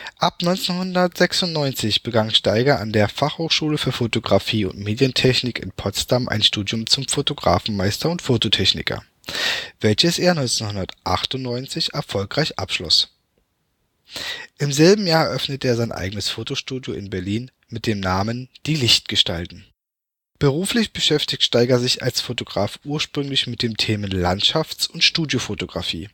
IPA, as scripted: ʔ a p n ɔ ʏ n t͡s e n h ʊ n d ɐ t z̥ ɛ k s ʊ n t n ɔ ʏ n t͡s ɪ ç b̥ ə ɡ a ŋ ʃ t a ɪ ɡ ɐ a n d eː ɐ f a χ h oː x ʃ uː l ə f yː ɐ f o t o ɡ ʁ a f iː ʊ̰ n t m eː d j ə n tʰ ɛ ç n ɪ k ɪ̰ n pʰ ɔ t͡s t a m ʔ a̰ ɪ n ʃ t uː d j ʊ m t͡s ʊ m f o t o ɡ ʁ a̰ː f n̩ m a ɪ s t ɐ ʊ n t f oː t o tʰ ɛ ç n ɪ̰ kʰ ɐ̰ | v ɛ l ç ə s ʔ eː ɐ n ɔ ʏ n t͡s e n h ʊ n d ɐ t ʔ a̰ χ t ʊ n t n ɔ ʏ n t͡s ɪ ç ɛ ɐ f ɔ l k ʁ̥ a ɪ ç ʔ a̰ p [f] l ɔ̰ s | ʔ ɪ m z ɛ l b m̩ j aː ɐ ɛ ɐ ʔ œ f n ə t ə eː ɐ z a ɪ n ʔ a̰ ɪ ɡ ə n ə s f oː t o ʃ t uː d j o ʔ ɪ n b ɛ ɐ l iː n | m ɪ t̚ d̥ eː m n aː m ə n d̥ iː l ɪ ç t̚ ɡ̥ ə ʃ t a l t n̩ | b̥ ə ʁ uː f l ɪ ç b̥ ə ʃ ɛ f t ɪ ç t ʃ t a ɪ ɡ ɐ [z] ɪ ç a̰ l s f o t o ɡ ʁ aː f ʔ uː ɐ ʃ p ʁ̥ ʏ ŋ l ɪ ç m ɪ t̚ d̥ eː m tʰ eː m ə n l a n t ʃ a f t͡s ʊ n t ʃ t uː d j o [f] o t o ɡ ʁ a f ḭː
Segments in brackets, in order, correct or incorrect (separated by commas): incorrect, correct, correct